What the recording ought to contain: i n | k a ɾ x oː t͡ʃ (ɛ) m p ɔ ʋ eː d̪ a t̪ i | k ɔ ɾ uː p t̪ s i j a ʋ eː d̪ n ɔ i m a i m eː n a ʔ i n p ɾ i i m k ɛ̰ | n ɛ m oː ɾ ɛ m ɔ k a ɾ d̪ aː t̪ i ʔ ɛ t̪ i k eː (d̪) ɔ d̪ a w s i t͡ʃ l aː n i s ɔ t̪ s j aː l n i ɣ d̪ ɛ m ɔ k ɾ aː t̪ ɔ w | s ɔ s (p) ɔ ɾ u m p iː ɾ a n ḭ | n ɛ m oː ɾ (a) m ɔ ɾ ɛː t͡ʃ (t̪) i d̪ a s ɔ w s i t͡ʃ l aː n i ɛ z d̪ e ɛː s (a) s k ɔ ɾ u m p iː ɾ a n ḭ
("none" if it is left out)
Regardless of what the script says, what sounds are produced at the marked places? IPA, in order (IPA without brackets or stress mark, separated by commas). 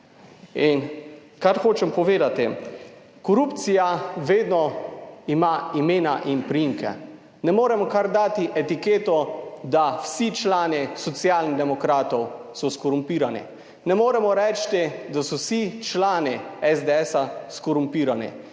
ɛ, t̪, k, ɛ, t̪, a